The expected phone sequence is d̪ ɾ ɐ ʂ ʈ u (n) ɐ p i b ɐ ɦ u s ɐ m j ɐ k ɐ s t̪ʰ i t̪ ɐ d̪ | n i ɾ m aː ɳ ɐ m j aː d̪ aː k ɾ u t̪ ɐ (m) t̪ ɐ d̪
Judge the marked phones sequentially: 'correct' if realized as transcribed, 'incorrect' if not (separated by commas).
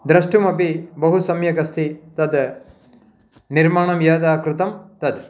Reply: incorrect, correct